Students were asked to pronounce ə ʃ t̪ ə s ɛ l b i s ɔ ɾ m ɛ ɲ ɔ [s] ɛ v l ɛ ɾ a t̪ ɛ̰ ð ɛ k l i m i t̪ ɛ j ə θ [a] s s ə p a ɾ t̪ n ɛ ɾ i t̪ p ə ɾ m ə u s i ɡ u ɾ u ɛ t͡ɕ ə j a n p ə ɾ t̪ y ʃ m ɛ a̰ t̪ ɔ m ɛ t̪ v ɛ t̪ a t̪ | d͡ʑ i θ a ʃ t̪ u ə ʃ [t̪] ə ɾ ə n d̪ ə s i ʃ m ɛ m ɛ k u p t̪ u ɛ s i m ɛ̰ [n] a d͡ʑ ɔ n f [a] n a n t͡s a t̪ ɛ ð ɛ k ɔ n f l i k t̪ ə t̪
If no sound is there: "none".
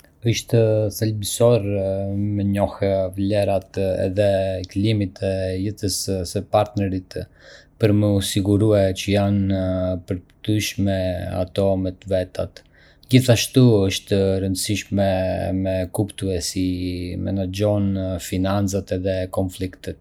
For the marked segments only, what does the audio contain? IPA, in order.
h, ə, t̪, n, i

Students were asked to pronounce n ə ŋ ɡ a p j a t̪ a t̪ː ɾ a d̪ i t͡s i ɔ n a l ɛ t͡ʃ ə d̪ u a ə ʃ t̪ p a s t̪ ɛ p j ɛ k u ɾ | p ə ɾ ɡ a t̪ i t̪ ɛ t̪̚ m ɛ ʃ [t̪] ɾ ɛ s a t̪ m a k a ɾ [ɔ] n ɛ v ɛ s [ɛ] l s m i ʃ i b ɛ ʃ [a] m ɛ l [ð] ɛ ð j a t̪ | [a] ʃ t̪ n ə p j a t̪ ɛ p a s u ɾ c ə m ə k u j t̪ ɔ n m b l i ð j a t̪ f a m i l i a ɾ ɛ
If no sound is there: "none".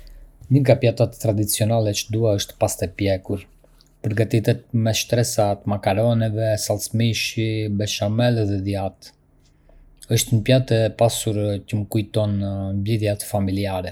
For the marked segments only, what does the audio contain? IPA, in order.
t̪, ɔ, a, a, ð, ə

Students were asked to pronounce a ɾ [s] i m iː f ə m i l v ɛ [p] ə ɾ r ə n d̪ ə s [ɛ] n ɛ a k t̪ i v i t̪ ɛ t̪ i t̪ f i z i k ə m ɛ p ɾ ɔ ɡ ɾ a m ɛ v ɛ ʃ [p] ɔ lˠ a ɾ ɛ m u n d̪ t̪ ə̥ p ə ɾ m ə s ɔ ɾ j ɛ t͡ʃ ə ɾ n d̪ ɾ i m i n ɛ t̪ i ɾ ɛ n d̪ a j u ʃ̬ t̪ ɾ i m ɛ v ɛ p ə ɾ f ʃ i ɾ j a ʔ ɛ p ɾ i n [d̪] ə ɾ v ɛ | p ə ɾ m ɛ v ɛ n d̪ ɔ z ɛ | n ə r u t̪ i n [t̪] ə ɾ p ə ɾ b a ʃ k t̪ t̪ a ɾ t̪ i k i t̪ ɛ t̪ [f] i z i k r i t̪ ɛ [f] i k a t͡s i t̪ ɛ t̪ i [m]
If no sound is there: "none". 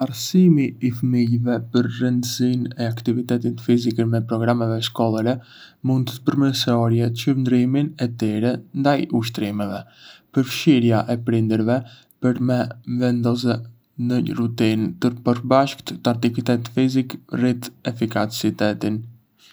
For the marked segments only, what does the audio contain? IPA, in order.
s, p, i, k, d̪, t̪, f, f, n

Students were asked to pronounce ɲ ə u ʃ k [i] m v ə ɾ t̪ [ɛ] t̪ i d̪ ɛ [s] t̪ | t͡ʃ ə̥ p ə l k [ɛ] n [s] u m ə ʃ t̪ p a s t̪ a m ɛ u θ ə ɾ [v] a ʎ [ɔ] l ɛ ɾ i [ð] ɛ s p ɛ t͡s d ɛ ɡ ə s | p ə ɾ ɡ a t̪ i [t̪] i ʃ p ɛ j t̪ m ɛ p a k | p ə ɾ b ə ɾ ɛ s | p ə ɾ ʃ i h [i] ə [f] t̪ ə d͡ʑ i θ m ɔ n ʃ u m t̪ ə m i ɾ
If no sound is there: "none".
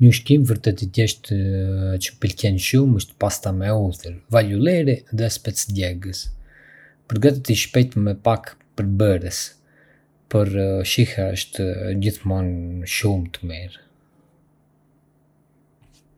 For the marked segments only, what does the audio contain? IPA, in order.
i, ɛ, ʃ, ɛ, ʃ, v, u, ð, t̪, a, ʃ

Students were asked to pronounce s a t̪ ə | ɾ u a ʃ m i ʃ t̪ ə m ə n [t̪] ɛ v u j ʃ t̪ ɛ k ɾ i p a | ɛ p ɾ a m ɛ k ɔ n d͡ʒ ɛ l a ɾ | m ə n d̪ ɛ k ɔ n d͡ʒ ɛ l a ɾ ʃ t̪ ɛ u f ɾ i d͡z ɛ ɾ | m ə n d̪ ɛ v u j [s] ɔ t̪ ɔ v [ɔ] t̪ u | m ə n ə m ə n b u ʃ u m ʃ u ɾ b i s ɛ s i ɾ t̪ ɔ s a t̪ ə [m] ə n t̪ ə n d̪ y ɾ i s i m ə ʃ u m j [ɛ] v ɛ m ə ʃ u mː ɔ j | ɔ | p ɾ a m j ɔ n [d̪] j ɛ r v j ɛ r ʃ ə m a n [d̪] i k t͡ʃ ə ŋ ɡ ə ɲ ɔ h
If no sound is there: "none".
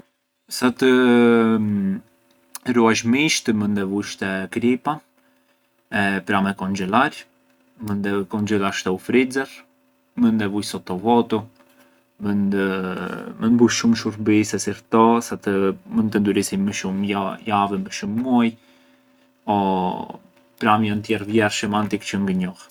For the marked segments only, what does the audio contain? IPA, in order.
d̪, s, ɔ, m, a, t̪, t̪

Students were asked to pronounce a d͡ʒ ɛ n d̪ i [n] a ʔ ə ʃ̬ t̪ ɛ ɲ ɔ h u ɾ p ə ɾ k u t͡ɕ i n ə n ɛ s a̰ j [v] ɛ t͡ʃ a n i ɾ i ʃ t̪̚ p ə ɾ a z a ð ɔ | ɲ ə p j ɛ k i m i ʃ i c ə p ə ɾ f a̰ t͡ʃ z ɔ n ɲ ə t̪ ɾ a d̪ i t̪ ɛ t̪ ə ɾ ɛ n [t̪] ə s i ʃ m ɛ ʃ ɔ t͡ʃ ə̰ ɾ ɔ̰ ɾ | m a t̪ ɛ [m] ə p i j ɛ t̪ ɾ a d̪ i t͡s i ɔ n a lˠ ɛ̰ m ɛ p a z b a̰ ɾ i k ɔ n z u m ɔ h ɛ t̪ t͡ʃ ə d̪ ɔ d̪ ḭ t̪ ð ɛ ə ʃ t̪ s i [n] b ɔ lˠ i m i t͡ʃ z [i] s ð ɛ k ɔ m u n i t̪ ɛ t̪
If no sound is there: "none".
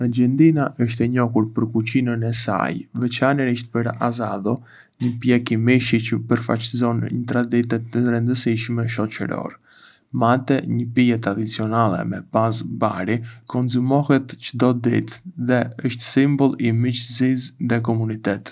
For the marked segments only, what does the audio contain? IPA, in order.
n, v, d̪, ɲ, m, i

